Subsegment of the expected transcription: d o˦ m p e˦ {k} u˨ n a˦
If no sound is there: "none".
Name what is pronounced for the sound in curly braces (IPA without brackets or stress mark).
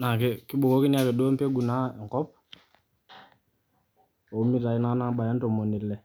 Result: ɡ